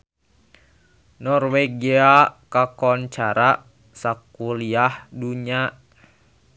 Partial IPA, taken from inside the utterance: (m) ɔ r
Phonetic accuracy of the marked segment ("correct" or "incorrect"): incorrect